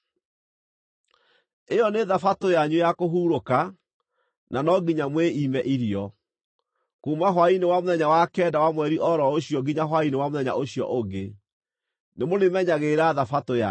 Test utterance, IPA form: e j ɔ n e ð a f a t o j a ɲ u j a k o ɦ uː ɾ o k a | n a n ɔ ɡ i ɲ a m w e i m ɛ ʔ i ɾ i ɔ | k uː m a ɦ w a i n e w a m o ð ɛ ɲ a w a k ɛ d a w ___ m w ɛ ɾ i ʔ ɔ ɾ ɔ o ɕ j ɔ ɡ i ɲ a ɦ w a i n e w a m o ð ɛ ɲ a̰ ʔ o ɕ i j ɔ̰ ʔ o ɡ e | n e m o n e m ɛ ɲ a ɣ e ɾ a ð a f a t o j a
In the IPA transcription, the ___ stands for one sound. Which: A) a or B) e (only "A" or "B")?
A